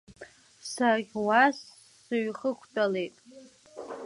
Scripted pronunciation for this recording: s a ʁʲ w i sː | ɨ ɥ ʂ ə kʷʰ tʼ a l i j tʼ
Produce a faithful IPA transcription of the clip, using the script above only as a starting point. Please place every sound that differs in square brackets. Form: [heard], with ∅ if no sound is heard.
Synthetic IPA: s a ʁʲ w [a] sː | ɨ ɥ [χ] ə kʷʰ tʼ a l [e] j tʼ